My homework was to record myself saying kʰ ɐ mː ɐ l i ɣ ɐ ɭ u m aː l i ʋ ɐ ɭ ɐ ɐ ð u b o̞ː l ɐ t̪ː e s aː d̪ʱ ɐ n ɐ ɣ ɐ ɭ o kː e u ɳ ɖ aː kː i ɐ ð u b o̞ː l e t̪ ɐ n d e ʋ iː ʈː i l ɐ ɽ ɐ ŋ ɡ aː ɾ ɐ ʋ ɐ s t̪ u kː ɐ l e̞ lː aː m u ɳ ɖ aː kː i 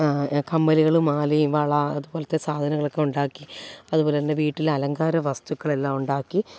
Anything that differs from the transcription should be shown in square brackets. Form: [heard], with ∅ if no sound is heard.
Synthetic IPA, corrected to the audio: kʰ ɐ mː ɐ l i ɣ ɐ ɭ u m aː l i ʋ ɐ ɭ ɐ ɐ ð u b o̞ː l ɐ t̪ː e s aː d̪ʱ ɐ n ɐ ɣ ɐ ɭ o kː e u ɳ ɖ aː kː i ɐ ð u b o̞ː l e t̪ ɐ n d e ʋ iː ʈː i l ɐ [l] ɐ ŋ ɡ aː ɾ ɐ ʋ ɐ s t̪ u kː ɐ [ɭ] e̞ lː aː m u ɳ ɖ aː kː i